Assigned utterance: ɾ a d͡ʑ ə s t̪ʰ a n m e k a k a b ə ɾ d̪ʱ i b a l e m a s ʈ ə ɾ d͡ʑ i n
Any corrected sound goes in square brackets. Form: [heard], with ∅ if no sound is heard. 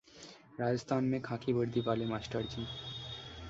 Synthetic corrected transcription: ɾ a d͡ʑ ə s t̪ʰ a n m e [kʰ] a k [i] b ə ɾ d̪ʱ i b a l e m a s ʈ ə ɾ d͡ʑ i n